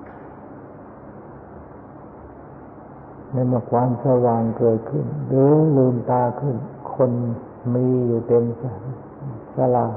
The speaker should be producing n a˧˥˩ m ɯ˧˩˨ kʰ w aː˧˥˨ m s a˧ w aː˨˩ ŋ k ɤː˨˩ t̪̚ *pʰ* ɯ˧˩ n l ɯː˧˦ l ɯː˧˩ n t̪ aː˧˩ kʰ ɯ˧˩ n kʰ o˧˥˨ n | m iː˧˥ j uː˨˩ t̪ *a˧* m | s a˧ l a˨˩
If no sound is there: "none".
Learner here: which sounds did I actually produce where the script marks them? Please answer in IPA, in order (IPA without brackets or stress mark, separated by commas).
kʰ, e˧